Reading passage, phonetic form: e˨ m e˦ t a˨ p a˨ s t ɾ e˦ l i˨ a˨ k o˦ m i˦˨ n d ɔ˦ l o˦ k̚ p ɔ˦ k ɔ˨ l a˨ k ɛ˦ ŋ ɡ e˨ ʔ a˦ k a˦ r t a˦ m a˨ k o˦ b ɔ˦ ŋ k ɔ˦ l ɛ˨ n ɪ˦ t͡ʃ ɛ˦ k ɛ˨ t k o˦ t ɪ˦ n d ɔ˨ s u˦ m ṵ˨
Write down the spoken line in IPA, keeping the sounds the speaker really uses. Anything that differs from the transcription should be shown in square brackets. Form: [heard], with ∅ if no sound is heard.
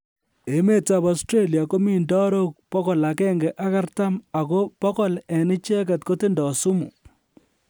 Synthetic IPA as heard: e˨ m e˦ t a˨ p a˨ s t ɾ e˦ l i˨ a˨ k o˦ m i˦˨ n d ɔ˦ [ɾ] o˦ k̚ p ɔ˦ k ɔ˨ l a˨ k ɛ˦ ŋ ɡ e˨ ʔ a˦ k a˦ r t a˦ m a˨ k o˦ [p] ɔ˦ [∅] k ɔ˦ l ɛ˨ n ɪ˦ t͡ʃ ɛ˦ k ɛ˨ t k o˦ t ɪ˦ n d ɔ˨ s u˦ m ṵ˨